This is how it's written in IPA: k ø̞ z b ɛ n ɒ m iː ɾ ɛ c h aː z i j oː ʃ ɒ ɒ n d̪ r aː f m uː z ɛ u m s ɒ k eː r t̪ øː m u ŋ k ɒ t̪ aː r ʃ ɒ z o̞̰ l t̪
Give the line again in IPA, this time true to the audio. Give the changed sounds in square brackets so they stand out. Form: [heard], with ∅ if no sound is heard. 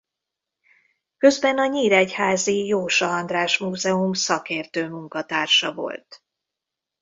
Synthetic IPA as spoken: k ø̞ z b ɛ n ɒ [ɲ] iː ɾ ɛ c h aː z i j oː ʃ ɒ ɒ n d̪ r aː [ʃ] m uː z ɛ u m s ɒ k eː r t̪ øː m u ŋ k ɒ t̪ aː r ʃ ɒ [v] o̞̰ l t̪